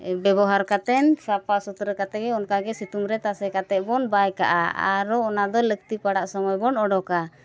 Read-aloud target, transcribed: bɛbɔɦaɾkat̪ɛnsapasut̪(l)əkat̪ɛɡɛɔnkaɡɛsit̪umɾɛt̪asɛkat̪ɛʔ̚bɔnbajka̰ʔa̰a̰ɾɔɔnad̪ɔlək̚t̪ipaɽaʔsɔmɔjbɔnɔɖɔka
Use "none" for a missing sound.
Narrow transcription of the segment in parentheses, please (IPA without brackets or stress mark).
ɾ